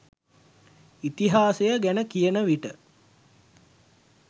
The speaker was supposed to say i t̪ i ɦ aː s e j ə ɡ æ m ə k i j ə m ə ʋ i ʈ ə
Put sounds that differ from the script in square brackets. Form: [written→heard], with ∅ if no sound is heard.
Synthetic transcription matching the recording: i t̪ i ɦ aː s e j ə ɡ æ [m→n] ə k i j ə [m→n] ə ʋ i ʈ ə